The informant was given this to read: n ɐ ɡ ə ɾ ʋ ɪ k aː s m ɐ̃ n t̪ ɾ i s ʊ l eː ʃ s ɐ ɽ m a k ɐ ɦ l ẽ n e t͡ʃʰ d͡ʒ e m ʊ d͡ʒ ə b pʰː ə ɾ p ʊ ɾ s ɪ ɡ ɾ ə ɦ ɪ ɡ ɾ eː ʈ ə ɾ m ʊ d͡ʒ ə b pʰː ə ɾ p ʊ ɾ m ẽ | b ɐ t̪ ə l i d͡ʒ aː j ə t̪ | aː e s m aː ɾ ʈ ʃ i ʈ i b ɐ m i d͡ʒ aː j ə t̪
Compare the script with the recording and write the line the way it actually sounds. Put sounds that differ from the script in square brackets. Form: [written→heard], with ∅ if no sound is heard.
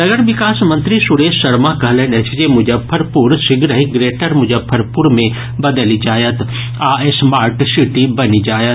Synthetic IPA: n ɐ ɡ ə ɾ ʋ ɪ k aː s m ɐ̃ n t̪ ɾ i s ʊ [l→ɽ] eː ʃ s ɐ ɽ m a k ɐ ɦ l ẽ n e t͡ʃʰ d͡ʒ e m ʊ d͡ʒ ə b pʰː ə ɾ p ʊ ɾ s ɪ ɡ ɾ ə ɦ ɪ ɡ ɾ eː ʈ ə ɾ m ʊ d͡ʒ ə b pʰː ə ɾ p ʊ ɾ m ẽ | b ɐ [t̪→d̪] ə l i d͡ʒ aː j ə t̪ | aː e s m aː ɾ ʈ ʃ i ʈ i b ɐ [m→n] i d͡ʒ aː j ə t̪